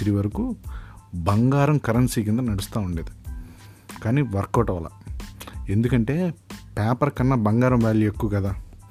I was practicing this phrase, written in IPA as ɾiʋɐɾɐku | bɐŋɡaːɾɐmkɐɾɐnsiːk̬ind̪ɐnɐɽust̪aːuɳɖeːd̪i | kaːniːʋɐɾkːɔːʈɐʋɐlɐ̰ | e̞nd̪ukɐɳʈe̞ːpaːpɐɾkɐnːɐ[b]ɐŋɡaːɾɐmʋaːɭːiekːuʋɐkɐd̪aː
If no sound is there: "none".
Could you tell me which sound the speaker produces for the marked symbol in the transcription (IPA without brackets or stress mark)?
b